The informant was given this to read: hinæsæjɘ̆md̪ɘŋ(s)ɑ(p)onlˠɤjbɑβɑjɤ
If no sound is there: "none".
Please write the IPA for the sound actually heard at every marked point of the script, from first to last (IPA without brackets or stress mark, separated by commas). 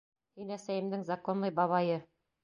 z, k